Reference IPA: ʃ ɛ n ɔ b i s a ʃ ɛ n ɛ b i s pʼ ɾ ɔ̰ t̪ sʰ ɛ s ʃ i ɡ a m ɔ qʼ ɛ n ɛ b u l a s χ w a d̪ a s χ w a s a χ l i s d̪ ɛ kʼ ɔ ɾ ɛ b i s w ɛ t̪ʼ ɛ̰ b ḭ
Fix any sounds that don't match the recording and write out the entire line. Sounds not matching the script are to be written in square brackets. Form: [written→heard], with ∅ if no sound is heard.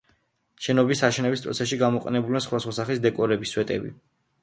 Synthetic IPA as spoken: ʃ ɛ n ɔ b i s a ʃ ɛ n ɛ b i s pʼ ɾ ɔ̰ t̪ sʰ ɛ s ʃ i ɡ a m ɔ qʼ ɛ n ɛ b u l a s χ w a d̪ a s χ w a s a χ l i s d̪ ɛ kʼ ɔ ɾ ɛ b i s w ɛ t̪ʼ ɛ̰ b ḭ